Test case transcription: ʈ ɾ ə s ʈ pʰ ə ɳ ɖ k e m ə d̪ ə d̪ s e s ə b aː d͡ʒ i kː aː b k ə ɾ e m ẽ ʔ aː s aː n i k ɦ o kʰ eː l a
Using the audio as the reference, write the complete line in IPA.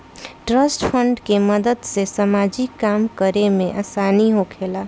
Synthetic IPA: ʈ ɾ ə s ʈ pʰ ə ɳ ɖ k e m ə d̪ ə d̪ s e s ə m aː d͡ʒ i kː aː m k ə ɾ e m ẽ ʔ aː s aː n i ɦ o kʰ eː l a